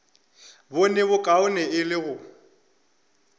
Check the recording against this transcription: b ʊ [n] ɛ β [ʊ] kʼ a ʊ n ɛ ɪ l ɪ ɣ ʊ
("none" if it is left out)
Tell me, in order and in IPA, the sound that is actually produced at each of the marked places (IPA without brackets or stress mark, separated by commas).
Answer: n, ʊ